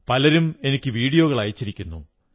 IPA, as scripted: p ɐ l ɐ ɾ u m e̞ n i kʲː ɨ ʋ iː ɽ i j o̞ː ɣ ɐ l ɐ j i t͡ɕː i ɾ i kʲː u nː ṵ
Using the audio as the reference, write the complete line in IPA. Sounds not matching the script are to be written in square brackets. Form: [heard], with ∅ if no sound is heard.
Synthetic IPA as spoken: p ɐ l ɐ ɾ u m e̞ n i kʲː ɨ ʋ iː ɽ i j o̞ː ɣ ɐ [ɭ] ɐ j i t͡ɕː i ɾ i kʲː u nː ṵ

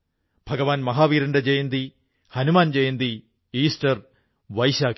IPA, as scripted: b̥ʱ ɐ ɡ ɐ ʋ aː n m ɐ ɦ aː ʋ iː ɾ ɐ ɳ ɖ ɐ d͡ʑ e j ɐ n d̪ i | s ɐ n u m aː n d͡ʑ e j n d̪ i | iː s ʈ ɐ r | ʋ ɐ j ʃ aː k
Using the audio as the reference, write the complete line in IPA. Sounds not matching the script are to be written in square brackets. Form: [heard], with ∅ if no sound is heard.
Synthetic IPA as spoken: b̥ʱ ɐ ɡ ɐ ʋ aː n m ɐ ɦ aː ʋ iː ɾ ɐ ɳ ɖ ɐ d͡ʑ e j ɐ n d̪ i | [h] ɐ n u m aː n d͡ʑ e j n d̪ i | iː s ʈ ɐ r | ʋ ɐ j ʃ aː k

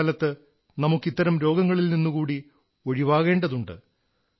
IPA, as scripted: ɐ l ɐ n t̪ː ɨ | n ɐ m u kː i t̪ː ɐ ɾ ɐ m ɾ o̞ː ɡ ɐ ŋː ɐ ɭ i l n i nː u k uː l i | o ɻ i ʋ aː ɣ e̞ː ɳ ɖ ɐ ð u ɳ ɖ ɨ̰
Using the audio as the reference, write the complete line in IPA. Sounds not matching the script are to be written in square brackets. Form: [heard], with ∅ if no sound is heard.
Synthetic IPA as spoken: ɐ l ɐ [∅] t̪ː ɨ | n ɐ m u kː i t̪ː ɐ ɾ ɐ m ɾ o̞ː ɡ ɐ ŋː ɐ ɭ i l n i nː u k uː [ɽ] i | o ɻ i ʋ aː ɣ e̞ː ɳ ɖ ɐ ð u ɳ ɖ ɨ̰

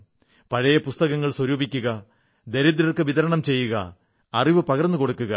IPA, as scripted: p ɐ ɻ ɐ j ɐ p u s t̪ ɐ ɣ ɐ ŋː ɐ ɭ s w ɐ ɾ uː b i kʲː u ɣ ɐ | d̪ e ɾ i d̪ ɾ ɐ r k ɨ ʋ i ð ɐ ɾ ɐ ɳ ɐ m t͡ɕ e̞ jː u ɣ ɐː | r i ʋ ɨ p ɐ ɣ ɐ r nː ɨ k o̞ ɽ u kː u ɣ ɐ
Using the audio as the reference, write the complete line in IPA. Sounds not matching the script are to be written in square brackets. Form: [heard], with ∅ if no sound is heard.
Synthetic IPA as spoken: p ɐ ɻ ɐ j ɐ p u s t̪ ɐ ɣ ɐ ŋː ɐ ɭ s w ɐ ɾ uː b i kʲː u ɣ ɐ | d̪ e ɾ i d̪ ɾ ɐ r k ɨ ʋ i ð ɐ ɾ ɐ ɳ ɐ m t͡ɕ e̞ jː u ɣ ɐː | r i ʋ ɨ p ɐ ɣ ɐ r nː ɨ k o̞ ɽ u kː u ɣ ɐ

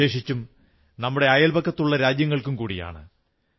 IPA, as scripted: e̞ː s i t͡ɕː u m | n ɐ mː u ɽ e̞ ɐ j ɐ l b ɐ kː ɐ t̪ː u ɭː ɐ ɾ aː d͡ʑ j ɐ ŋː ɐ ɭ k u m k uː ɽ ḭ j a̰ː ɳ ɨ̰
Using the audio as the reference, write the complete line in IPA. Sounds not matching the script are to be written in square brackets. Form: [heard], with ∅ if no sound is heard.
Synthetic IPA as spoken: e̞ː [ʂ] i t͡ɕː u m | n ɐ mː u ɽ e̞ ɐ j ɐ l b ɐ kː ɐ t̪ː u ɭː ɐ ɾ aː d͡ʑ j ɐ ŋː ɐ ɭ k u m k uː ɽ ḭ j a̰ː ɳ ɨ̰

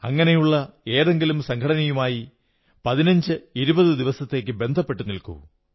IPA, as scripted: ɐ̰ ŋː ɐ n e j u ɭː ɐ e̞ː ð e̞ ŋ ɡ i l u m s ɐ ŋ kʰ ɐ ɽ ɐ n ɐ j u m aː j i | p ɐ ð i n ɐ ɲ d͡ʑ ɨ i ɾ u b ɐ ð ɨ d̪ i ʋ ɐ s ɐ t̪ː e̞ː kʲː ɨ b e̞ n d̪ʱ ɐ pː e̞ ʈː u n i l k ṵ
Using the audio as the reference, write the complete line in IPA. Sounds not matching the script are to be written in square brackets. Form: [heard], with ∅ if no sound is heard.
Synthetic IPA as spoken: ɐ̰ ŋː ɐ n e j u ɭː ɐ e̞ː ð e̞ ŋ ɡ i l u m s ɐ ŋ kʰ ɐ ɽ ɐ n ɐ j u m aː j i | p ɐ ð i n ɐ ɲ d͡ʑ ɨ i ɾ u b ɐ ð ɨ d̪ i ʋ ɐ s ɐ t̪ː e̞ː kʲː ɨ b e̞ n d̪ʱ ɐ pː e̞ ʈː u n i l k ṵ

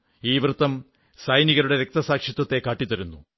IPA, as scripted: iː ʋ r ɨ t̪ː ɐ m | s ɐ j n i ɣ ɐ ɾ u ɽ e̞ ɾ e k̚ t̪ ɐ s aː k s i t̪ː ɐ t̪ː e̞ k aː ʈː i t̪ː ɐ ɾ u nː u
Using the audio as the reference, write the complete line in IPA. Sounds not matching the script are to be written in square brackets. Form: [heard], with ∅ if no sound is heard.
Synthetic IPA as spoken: iː ʋ r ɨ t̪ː ɐ m | s ɐ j n i ɣ ɐ ɾ u ɽ e̞ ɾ e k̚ t̪ ɐ s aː k [ʂ] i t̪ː ɐ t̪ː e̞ k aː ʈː i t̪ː ɐ ɾ u nː u

